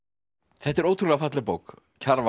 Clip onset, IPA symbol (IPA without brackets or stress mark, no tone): θ